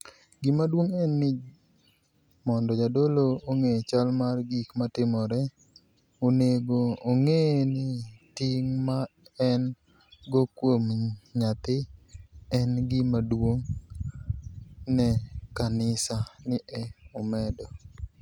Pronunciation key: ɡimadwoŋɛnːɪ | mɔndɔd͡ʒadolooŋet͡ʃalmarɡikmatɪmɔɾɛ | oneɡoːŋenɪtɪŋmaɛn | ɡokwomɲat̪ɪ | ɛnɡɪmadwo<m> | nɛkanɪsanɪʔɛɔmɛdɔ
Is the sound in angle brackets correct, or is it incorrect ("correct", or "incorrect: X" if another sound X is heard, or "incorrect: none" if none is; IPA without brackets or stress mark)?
incorrect: ŋ